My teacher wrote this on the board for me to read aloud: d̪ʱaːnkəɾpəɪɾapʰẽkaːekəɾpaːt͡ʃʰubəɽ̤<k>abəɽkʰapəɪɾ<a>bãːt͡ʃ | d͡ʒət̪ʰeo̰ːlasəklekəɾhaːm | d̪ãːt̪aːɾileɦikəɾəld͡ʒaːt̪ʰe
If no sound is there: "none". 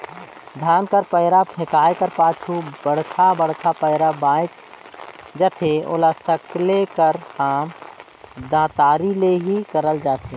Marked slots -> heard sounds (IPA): kʰ, a

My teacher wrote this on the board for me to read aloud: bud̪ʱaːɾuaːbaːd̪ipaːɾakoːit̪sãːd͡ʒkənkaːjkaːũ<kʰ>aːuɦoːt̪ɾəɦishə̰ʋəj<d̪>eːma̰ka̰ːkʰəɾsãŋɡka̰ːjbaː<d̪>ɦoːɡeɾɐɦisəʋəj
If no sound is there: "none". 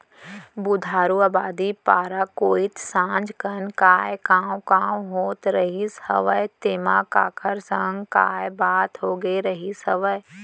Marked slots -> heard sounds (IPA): k, t̪, t̪

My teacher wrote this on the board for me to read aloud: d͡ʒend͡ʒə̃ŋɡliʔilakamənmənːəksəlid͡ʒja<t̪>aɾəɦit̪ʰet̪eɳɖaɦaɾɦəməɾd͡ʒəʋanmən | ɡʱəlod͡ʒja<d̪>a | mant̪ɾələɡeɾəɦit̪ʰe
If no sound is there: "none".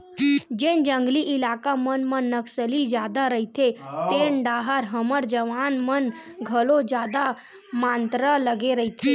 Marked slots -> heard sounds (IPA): d̪, d̪

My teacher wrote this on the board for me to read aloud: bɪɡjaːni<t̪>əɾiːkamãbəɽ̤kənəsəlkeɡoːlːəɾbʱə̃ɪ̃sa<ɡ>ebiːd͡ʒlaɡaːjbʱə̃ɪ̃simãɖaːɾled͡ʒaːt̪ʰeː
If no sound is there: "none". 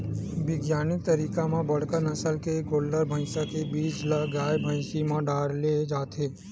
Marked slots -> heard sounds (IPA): t̪, k

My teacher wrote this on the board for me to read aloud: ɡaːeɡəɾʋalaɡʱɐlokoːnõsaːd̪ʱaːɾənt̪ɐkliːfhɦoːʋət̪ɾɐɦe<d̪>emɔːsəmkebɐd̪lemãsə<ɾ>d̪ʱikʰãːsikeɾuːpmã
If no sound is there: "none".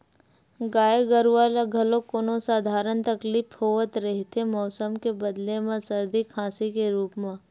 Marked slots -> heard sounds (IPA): t̪, ɾ

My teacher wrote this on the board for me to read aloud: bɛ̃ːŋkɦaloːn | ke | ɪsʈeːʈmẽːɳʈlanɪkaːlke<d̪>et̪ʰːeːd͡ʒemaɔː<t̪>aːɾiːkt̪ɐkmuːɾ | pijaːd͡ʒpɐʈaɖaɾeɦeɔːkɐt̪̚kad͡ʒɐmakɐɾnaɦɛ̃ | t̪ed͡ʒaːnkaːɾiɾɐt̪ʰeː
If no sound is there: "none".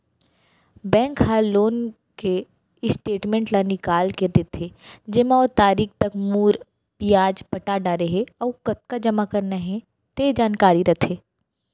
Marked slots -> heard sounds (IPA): d̪, t̪

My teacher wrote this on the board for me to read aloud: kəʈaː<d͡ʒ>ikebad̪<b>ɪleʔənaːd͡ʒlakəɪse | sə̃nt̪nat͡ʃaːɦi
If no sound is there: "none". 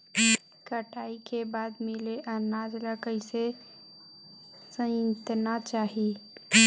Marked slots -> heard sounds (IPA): none, m

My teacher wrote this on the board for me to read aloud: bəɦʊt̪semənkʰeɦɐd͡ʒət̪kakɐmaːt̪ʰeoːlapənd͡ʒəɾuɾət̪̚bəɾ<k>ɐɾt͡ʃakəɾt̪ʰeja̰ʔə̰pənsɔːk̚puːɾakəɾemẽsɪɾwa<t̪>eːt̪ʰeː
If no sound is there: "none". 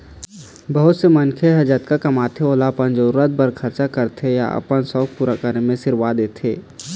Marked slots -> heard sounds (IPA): kʰ, d̪

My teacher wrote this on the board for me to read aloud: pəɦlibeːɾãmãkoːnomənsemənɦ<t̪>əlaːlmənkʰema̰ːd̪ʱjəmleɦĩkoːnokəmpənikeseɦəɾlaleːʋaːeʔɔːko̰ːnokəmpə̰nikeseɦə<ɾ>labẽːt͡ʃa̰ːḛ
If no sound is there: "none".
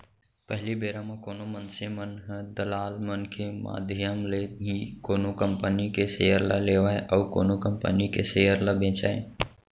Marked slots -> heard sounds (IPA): d̪, ɾ

